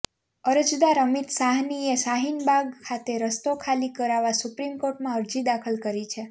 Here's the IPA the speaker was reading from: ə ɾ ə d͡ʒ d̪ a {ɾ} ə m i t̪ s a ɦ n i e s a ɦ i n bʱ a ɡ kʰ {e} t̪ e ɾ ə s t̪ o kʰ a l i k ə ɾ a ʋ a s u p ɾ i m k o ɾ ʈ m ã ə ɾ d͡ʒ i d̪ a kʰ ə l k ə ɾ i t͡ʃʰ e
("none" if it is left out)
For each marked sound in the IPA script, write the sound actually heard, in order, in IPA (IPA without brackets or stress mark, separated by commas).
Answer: ɾ, a